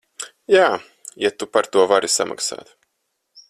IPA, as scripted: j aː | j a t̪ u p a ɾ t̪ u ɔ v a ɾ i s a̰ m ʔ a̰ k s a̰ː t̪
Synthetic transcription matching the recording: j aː | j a t̪ u p a ɾ t̪ u ɔ v a ɾ i s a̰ m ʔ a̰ k s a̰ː t̪

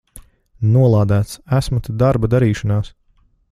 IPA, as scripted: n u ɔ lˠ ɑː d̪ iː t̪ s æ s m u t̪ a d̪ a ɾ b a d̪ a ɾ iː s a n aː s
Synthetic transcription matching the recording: n u ɔ lˠ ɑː d̪ æː t̪ s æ s m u t̪ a d̪ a ɾ b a d̪ a ɾ iː ʃ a n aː s

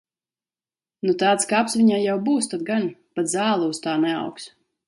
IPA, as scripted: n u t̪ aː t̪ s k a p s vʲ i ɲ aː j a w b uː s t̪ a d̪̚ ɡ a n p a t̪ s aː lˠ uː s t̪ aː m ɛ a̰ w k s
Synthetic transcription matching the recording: n u t̪ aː t̪ s k a p s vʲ i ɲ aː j a w b uː s t̪ a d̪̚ ɡ a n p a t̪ z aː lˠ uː s t̪ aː n ɛ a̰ w k s

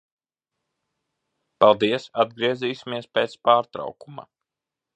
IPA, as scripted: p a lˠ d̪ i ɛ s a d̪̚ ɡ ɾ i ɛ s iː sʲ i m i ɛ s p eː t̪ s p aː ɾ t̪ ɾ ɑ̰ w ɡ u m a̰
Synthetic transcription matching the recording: p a lˠ d̪ i ɛ s a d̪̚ ɡ ɾ i ɛ z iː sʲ i m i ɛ s p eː t̪ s p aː ɾ t̪ ɾ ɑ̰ w k u m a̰

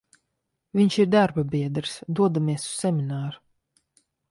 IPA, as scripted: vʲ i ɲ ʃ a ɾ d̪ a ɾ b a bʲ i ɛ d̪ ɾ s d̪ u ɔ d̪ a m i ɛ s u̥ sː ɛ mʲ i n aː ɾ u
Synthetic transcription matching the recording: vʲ i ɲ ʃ i ɾ d̪ a ɾ b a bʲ i ɛ d̪ ɾ s d̪ u ɔ d̪ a m i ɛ s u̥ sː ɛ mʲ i n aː ɾ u

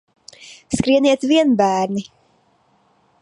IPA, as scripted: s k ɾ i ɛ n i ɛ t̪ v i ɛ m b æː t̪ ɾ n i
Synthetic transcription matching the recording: s k ɾ i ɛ n i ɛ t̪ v i ɛ n b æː ɾ n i

